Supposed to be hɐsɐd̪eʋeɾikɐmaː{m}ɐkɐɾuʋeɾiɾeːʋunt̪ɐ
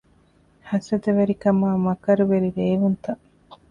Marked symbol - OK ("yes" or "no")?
yes